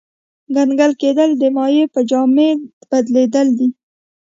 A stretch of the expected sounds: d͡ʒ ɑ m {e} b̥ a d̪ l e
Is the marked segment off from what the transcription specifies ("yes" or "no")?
no